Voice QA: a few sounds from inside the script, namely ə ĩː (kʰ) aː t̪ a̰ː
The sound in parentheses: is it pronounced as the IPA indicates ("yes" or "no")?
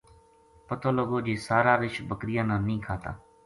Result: yes